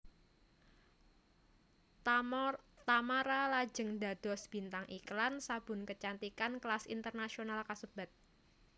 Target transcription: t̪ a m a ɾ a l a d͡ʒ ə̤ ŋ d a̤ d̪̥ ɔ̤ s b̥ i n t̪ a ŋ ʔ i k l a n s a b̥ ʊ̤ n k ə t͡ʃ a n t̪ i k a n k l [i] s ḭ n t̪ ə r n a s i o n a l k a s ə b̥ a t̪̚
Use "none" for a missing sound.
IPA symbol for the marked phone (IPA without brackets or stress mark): a